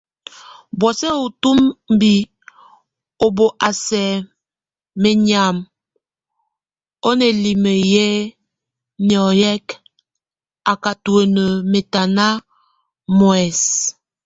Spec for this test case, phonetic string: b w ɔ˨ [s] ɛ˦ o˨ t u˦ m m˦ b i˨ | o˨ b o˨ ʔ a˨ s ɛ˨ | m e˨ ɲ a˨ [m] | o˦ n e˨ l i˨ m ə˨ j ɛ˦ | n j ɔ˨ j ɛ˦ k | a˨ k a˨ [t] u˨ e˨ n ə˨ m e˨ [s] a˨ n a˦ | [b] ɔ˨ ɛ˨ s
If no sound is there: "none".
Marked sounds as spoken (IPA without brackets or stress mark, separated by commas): s, m, t, t, m